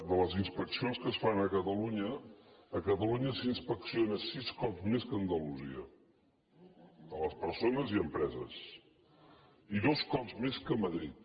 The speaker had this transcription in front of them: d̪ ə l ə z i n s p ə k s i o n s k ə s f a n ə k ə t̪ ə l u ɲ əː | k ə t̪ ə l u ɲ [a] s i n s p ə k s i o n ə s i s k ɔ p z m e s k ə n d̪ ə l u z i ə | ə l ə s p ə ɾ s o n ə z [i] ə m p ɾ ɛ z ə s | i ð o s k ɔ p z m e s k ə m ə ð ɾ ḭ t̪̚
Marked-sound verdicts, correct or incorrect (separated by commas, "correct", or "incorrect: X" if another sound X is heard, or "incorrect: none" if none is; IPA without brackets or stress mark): incorrect: ə, correct